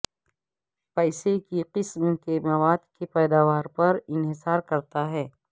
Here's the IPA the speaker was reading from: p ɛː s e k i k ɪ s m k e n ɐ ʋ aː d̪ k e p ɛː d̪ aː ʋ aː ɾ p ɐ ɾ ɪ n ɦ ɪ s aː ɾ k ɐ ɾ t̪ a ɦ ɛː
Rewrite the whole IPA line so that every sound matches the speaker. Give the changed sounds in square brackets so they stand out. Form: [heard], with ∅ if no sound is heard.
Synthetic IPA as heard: p ɛː s e k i [q] ɪ s m k e [m] ɐ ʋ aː d̪ k e p ɛː d̪ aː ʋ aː ɾ p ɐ ɾ ɪ n ɦ ɪ s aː ɾ k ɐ ɾ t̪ a ɦ ɛː

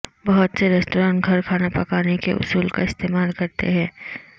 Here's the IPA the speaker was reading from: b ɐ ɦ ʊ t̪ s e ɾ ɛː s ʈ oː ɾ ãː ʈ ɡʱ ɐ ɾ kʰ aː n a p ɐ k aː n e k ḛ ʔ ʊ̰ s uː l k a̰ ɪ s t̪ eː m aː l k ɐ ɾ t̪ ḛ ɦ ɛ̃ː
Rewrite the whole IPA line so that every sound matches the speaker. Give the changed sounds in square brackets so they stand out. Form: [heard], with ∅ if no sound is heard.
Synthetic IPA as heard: b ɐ ɦ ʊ t̪ s e ɾ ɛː s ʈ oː ɾ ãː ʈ ɡʱ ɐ ɾ kʰ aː n a p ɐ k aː n e k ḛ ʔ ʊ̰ s uː l k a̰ ɪ s t̪ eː m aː l k ɐ ɾ t̪ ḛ ɦ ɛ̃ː

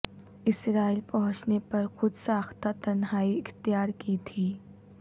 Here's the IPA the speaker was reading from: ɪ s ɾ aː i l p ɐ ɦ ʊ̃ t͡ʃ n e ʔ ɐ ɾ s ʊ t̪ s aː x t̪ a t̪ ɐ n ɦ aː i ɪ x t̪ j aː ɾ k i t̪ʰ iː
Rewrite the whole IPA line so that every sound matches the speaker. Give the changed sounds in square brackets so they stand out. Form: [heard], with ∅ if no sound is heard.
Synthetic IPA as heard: ɪ s ɾ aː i l p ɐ ɦ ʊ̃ t͡ʃ n e [p] ɐ ɾ [x] ʊ [d̪] s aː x t̪ a t̪ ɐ n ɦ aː i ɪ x t̪ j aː ɾ k i t̪ʰ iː

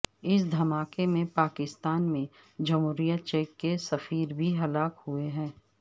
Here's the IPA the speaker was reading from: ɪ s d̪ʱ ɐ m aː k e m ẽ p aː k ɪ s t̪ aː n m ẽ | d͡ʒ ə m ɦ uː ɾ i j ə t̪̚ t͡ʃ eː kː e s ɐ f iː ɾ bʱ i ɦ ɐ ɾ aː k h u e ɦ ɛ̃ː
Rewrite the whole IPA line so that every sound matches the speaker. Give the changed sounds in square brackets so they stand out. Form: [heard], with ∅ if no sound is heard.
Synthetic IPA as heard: ɪ s d̪ʱ ɐ m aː k e m ẽ p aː k ɪ s t̪ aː n m ẽ | d͡ʒ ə m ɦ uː ɾ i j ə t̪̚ t͡ʃ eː kː e s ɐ f iː ɾ bʱ i ɦ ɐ [l] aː k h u e ɦ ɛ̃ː

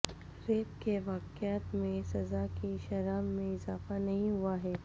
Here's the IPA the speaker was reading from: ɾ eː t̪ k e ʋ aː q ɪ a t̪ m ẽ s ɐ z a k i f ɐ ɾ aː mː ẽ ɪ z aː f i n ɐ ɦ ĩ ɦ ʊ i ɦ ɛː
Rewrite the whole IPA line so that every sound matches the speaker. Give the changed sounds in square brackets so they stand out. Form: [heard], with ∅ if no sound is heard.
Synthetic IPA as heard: ɾ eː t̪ k e ʋ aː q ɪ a t̪ m ẽ s ɐ z a k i [ʃ] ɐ ɾ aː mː ẽ ɪ z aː f [a] n ɐ ɦ ĩ ɦ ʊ [a] ɦ ɛː

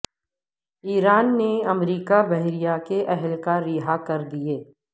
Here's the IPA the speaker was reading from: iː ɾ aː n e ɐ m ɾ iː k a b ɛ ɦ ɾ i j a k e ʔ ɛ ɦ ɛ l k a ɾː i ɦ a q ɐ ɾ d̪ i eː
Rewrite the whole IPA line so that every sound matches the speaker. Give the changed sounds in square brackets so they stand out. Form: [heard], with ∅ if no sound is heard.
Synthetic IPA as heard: iː ɾ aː [nː] e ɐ m ɾ iː k a b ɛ ɦ ɾ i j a k e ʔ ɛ ɦ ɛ l k a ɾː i ɦ a [k] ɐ ɾ d̪ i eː

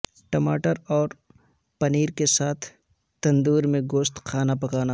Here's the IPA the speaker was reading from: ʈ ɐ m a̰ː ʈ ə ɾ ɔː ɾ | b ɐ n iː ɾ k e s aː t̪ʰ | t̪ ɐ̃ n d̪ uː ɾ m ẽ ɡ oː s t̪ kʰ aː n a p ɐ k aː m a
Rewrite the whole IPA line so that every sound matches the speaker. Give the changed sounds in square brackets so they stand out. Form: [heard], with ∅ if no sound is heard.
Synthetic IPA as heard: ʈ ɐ m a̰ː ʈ ə ɾ ɔː ɾ | [p] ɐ n iː ɾ k e s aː t̪ʰ | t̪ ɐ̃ n d̪ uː ɾ m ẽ ɡ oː s t̪ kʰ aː n a p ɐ k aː [n] a

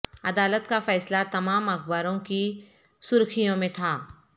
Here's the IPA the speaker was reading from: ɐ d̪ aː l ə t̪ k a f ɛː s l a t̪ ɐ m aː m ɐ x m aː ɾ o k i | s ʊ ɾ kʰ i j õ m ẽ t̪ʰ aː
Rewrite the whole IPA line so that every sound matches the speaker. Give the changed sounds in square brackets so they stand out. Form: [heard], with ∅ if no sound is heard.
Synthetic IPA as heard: ɐ d̪ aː l ə t̪ k a f ɛː s l a t̪ ɐ m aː m ɐ x [b] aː ɾ [õ] k i | s ʊ ɾ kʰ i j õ m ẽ t̪ʰ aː

